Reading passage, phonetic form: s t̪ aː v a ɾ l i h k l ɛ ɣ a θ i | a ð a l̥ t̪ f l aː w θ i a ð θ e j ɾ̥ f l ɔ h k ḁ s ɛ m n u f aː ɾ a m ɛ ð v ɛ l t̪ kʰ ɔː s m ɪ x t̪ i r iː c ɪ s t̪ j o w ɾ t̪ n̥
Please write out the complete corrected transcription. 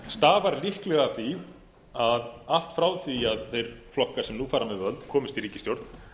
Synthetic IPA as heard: s t̪ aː v a ɾ l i h k l ɛ ɣ a θ i | a ð a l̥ t̪ f ɾ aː w θ i a ð θ e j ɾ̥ f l ɔ h k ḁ s ɛ m n u f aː ɾ a m ɛ ð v œ l t̪ kʰ ɔː m ɪ s t̪ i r iː c ɪ s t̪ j o w ɾ t̪ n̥